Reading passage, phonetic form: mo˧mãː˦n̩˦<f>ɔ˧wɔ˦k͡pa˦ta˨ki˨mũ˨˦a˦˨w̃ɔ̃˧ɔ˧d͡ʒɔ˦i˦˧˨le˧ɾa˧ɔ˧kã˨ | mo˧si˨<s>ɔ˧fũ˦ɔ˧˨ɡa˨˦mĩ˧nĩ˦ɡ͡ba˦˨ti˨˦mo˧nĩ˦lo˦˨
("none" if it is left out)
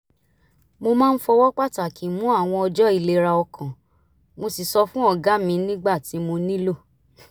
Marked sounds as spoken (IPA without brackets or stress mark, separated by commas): f, s